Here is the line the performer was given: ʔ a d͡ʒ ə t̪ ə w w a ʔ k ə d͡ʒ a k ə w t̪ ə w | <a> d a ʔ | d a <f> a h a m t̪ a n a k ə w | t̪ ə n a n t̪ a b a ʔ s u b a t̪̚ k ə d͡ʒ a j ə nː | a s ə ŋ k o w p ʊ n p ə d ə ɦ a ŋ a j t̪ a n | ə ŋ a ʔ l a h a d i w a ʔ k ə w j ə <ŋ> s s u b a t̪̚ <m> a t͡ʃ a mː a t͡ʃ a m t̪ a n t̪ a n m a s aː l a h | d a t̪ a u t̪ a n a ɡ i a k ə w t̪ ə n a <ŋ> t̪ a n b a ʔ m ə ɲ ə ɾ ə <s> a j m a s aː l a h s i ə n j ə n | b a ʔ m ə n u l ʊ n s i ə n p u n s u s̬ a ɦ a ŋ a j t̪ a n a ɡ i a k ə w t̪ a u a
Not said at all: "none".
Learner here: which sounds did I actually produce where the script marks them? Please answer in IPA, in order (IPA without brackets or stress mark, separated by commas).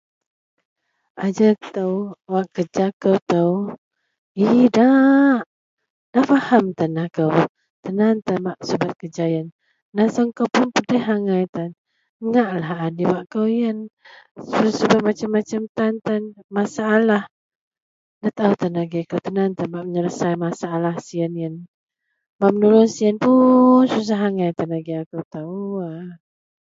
i, f, n, m, n, s